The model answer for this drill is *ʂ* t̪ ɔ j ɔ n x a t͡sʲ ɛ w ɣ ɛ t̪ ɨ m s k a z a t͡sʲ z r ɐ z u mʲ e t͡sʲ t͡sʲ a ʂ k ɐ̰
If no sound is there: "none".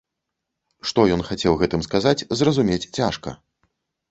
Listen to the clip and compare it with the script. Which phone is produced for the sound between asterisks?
ʂ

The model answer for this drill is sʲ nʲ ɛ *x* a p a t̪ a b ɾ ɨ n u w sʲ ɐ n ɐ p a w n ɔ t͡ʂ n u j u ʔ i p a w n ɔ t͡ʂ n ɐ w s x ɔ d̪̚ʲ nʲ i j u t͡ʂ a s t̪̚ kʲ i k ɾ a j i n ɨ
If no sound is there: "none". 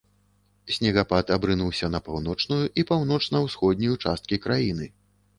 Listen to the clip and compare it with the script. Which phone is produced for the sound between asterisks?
ɣ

